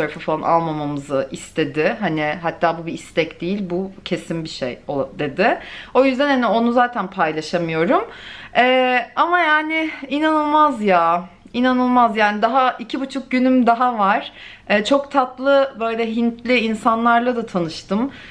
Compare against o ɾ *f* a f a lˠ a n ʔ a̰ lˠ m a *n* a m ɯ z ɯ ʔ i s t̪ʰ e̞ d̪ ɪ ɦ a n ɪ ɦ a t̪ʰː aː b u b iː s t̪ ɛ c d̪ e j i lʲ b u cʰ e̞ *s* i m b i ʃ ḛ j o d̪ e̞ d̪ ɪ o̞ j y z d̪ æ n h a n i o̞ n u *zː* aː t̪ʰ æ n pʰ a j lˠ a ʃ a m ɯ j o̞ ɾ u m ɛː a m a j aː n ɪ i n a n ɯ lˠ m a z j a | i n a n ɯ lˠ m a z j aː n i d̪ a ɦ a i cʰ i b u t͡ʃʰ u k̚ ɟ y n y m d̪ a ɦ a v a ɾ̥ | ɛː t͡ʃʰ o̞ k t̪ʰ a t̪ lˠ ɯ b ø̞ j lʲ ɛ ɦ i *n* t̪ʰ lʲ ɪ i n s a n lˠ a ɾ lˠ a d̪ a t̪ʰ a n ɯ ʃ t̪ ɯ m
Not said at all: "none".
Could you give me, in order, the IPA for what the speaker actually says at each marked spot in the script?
f, m, s, z, n

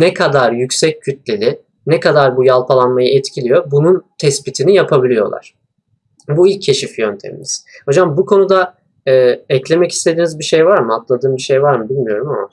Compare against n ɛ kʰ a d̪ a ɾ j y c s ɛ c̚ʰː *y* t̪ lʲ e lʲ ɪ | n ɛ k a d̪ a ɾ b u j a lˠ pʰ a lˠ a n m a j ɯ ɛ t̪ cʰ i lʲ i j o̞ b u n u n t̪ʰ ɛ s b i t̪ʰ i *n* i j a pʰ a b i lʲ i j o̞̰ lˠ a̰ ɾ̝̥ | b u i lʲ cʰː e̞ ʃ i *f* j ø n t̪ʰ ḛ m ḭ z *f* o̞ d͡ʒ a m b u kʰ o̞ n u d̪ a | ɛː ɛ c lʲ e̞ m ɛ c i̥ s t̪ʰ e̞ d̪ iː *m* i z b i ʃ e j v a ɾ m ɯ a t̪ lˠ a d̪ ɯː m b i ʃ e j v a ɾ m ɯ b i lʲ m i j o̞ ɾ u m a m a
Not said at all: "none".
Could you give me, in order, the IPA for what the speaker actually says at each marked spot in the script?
y, n, f, h, n

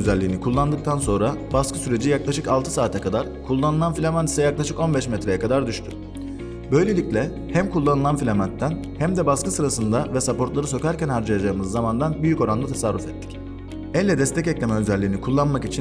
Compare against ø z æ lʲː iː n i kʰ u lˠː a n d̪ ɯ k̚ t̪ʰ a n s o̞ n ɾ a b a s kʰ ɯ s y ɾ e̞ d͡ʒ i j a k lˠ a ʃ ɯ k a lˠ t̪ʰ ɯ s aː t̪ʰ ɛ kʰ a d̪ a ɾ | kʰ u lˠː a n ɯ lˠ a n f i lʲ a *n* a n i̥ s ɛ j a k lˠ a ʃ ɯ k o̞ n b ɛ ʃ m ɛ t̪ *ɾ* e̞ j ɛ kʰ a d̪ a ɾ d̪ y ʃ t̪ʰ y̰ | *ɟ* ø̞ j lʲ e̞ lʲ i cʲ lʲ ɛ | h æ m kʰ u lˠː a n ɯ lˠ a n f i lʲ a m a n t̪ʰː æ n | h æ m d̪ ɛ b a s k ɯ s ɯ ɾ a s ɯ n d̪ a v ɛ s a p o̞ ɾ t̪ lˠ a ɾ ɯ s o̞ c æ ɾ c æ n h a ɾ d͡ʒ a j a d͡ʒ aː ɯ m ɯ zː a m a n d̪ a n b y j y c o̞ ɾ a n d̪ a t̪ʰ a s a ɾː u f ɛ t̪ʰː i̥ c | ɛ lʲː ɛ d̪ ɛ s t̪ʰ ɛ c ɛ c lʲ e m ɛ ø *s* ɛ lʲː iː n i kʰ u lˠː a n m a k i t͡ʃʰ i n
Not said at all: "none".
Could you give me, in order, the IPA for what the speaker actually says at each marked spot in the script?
m, ɾ, b, z

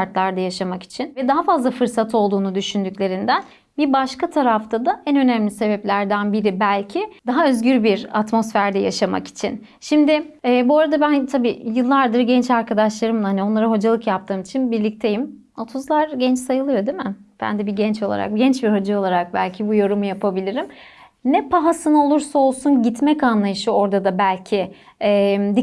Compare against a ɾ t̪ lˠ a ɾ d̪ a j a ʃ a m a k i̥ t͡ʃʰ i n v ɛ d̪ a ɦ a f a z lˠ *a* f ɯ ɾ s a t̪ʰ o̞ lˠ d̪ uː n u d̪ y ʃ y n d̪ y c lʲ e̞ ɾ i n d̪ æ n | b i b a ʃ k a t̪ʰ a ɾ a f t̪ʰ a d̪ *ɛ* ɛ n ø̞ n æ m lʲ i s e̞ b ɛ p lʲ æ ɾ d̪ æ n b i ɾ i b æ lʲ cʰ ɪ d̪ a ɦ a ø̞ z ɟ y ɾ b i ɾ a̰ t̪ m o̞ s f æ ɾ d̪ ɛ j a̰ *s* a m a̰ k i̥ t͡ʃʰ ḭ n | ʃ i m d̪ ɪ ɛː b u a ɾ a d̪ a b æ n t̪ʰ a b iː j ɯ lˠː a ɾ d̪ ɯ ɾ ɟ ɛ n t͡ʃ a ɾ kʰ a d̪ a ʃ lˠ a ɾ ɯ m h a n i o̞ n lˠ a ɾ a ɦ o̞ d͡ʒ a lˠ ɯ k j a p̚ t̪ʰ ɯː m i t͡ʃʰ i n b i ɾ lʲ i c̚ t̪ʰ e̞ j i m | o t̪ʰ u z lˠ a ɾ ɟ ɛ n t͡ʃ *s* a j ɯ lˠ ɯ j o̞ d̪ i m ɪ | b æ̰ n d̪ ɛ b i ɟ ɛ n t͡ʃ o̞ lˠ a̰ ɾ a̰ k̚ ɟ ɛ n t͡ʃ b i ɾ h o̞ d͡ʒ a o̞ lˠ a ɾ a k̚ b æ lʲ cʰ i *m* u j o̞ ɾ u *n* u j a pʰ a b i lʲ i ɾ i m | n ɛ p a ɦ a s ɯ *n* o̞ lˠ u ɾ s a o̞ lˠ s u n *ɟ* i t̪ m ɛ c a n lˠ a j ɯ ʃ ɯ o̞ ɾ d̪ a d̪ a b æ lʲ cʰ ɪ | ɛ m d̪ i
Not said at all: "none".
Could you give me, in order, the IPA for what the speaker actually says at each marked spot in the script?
a, a, ʃ, s, b, m, n, ɟ

